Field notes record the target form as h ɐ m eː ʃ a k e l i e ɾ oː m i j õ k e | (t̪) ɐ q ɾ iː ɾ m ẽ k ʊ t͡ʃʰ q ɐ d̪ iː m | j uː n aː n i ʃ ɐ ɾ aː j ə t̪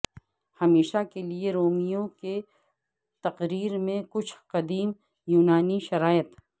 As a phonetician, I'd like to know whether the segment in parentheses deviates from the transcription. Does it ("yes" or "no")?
no